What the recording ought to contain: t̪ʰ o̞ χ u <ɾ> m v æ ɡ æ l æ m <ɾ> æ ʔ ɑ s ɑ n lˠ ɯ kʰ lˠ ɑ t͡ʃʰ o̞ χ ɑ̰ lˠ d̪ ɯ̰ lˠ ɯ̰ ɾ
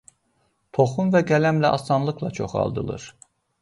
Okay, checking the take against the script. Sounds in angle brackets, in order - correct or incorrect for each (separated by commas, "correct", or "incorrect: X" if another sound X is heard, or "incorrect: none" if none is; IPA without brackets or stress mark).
incorrect: none, incorrect: l